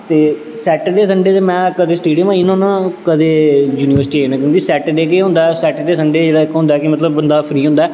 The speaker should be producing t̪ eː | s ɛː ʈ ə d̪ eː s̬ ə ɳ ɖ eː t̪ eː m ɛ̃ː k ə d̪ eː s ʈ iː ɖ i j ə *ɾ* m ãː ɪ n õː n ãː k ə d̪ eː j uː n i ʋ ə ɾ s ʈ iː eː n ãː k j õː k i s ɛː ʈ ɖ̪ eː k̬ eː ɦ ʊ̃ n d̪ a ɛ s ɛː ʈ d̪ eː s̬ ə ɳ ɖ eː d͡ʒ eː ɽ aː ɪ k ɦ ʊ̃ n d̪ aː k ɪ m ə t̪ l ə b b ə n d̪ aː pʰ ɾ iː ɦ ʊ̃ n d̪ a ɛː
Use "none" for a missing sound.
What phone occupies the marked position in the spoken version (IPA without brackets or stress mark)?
none